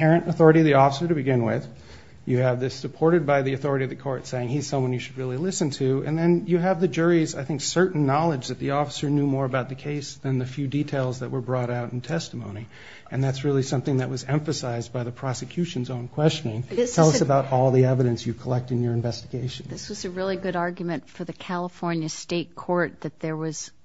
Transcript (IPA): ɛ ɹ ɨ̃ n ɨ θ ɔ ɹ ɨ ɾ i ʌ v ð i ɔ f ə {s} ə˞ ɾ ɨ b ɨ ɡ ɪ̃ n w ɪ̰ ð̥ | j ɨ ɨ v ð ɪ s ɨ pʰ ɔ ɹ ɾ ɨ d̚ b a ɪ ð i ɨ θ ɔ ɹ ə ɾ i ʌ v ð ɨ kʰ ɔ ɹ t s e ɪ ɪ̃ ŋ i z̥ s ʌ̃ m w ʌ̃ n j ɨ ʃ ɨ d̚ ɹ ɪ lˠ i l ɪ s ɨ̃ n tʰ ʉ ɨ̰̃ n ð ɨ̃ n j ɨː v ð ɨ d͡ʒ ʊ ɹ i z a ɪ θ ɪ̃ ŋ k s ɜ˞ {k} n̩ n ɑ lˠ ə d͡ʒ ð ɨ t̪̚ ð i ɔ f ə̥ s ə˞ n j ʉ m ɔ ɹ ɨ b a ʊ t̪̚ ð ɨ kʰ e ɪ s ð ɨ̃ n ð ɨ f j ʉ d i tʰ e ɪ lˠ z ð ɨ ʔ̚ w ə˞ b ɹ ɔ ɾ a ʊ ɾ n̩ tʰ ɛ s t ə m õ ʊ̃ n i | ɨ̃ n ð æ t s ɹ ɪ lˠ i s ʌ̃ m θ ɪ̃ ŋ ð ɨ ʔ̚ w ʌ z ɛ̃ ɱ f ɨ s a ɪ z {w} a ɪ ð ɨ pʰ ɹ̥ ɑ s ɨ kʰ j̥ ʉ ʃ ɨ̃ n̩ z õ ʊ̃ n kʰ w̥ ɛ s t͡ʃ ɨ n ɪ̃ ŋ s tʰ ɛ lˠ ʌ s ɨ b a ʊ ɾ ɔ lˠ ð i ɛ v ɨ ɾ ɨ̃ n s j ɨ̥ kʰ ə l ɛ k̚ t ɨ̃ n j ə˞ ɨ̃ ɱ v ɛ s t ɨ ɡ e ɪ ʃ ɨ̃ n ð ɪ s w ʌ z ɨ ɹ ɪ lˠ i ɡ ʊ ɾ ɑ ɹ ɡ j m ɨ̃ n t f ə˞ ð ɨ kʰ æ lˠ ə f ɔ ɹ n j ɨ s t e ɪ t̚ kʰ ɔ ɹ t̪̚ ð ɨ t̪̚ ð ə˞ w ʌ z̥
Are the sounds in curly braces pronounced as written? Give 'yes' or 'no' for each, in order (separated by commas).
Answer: yes, no, no